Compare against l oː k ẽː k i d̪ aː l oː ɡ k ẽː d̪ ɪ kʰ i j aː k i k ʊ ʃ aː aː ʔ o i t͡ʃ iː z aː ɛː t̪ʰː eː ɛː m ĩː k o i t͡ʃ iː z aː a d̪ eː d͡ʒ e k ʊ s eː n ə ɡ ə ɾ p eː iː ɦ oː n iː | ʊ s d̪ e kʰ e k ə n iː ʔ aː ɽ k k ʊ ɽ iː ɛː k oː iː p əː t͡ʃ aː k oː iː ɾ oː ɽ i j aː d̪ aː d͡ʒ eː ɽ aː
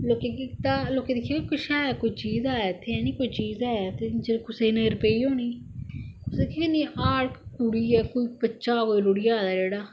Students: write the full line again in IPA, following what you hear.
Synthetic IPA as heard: l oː k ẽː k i t̪ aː l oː k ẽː d̪ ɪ kʰ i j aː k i k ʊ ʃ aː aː k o i t͡ʃ iː z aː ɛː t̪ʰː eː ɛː n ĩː k o i t͡ʃ iː z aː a t̪ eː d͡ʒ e k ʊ s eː n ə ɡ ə ɾ p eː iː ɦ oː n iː | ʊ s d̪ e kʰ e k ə n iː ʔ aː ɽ k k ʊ ɽ iː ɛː k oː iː p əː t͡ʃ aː k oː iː ɾ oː ɽ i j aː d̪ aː d͡ʒ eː ɽ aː